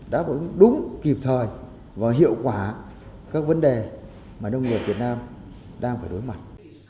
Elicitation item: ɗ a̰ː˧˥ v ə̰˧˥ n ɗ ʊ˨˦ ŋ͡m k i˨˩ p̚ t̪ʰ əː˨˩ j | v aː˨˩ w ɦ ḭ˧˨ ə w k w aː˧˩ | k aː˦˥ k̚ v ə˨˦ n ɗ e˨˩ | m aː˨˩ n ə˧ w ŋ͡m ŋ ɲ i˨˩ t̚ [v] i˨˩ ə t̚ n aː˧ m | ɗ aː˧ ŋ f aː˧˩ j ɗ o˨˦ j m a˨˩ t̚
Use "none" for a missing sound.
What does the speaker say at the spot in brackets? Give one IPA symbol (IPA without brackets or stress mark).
v